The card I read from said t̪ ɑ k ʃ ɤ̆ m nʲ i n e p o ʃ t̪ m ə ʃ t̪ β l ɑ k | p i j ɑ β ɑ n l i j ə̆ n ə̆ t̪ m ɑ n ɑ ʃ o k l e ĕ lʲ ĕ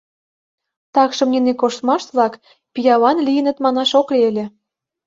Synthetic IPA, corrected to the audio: t̪ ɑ k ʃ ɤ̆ m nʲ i n e k o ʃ t̪ m ɑ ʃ t̪ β l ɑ k | p i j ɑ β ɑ n l i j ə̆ n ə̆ t̪ m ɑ n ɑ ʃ o k l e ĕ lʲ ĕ